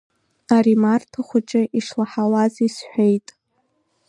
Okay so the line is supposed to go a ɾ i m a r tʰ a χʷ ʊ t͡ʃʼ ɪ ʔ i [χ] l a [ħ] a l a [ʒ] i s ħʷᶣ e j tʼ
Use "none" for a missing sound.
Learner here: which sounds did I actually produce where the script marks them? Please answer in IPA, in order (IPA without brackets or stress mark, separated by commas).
ʂ, ħ, z